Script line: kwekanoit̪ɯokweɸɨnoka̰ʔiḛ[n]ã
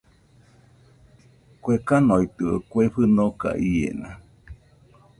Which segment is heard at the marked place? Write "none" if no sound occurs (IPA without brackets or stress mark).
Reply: n